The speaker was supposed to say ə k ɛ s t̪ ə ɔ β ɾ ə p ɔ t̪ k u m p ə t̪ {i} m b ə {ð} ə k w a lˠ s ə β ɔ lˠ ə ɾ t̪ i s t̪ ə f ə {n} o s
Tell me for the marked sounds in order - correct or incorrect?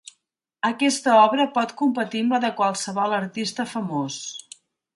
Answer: correct, correct, incorrect: m

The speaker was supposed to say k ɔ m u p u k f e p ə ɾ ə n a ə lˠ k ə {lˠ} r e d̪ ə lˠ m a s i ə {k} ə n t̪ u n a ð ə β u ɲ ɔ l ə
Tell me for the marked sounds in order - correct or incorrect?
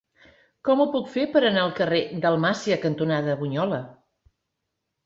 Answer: incorrect: none, correct

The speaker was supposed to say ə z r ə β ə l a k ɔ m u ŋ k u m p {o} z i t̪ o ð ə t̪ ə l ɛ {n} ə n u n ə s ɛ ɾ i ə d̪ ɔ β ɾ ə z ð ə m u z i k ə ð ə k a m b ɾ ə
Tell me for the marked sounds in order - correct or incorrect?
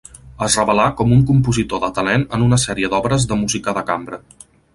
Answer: incorrect: u, correct

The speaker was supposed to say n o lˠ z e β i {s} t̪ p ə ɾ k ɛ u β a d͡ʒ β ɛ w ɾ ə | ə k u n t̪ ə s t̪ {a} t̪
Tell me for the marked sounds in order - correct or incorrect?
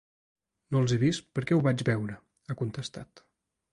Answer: correct, correct

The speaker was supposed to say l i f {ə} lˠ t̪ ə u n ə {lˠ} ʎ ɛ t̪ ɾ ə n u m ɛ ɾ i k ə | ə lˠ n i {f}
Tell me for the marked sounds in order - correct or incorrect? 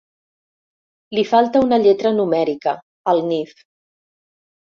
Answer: incorrect: a, incorrect: none, correct

